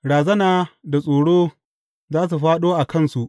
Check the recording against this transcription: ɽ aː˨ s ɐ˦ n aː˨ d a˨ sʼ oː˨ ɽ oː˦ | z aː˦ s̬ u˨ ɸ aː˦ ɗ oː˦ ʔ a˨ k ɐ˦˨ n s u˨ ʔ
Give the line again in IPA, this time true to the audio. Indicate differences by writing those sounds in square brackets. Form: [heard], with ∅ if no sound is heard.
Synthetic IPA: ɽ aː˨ [z] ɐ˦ n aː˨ d a˨ sʼ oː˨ ɽ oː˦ | z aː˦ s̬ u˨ ɸ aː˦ ɗ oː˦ ʔ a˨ k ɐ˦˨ n s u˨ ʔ